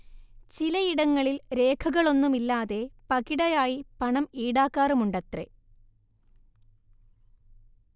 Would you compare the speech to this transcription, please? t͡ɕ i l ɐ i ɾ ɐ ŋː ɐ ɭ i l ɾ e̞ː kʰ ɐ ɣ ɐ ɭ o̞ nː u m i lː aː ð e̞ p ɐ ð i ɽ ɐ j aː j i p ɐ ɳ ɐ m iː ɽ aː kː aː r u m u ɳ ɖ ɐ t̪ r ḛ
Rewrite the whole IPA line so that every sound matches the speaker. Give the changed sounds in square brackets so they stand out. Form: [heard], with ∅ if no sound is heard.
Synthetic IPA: t͡ɕ i l ɐ i [ɽ] ɐ ŋː ɐ ɭ i l ɾ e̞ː kʰ ɐ ɣ ɐ ɭ o̞ nː u m i lː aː ð e̞ p ɐ [ɣ] i ɽ ɐ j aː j i p ɐ ɳ ɐ m iː ɽ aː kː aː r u m u ɳ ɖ ɐ t̪ r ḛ